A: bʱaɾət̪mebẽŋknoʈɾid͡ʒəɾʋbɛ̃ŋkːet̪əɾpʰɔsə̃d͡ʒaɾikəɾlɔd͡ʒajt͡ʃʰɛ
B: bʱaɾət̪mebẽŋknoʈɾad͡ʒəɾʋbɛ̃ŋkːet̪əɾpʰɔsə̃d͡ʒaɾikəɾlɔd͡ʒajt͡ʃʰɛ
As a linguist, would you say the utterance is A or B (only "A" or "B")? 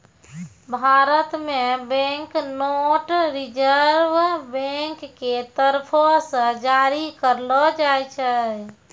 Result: A